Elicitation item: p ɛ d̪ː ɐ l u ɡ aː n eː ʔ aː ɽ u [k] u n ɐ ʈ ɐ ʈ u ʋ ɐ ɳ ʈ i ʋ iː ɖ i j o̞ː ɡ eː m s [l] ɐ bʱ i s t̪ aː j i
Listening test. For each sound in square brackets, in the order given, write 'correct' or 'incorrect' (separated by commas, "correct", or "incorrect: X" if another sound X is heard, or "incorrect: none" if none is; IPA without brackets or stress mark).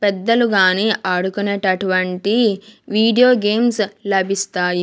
correct, correct